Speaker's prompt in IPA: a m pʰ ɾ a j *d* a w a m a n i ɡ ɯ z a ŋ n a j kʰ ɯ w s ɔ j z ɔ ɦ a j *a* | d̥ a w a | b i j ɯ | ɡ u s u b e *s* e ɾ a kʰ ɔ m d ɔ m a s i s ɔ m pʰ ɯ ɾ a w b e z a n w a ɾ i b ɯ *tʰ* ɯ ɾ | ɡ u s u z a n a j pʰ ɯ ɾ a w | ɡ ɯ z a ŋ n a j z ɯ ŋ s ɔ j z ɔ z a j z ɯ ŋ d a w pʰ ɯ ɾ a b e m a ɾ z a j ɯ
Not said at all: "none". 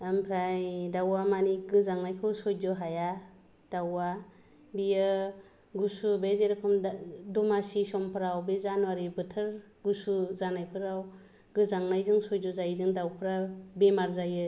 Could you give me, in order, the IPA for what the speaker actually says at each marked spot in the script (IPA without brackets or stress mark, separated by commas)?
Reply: d, a, z, tʰ